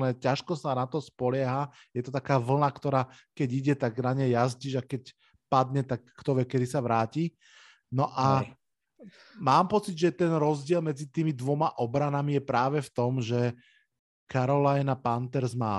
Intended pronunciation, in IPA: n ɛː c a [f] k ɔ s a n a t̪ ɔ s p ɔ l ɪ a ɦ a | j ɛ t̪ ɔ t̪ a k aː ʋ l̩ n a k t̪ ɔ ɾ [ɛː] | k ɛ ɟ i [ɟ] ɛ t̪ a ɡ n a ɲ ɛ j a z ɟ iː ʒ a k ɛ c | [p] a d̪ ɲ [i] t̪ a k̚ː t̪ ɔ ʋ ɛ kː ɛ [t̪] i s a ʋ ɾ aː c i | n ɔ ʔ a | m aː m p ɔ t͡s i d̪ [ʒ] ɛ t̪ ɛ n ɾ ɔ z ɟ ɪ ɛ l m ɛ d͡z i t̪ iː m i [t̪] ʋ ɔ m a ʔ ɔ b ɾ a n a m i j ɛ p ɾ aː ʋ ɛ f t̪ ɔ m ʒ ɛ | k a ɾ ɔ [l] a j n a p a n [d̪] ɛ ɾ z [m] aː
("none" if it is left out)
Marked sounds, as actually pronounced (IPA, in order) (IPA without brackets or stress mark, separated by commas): ʃ, aː, ɟ, p, ɛ, d̪, ʒ, d̪, l, t̪, m